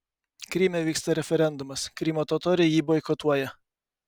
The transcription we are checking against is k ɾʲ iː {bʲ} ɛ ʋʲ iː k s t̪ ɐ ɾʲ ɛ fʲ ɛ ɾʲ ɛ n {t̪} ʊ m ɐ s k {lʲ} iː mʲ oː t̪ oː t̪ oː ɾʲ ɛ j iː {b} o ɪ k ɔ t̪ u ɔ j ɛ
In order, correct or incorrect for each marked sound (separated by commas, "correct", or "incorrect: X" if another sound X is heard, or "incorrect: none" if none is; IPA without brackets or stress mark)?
incorrect: mʲ, incorrect: d̪, incorrect: ɾʲ, correct